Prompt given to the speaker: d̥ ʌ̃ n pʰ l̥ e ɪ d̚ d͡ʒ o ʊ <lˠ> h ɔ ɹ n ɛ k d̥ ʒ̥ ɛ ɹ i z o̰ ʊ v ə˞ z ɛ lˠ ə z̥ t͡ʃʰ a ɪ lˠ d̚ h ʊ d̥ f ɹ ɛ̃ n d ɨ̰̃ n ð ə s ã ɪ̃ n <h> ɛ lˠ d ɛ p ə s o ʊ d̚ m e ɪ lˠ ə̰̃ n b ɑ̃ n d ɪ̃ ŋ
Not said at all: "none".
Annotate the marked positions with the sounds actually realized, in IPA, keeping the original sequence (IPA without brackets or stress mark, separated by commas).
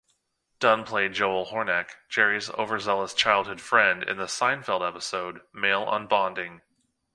lˠ, f